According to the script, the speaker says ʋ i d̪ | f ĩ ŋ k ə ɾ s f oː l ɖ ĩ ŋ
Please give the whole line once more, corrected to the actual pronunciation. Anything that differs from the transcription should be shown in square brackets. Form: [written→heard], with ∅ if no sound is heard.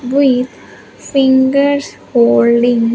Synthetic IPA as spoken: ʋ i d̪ | f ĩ ŋ [k→ɡ] ə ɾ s [f→h] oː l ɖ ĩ ŋ